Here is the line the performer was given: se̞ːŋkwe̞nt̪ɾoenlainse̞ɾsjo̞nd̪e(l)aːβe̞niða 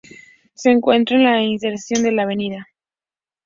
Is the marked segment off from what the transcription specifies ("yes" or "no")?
no